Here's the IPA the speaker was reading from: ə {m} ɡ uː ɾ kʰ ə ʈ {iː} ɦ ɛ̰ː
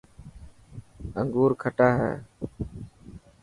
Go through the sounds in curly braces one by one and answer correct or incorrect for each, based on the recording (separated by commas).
incorrect, incorrect